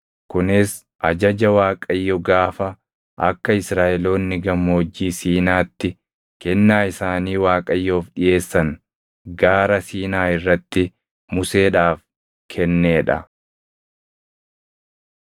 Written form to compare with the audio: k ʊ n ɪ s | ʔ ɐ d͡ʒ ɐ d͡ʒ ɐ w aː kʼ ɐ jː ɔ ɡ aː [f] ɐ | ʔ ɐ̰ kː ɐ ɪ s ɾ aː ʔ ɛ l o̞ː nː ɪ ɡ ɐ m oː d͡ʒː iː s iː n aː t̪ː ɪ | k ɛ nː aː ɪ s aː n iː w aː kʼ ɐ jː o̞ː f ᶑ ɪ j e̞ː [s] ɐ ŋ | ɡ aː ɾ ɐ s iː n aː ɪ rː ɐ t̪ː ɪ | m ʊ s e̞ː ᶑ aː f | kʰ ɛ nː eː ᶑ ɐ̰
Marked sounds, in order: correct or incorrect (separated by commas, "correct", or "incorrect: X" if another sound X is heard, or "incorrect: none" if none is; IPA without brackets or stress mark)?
correct, incorrect: sː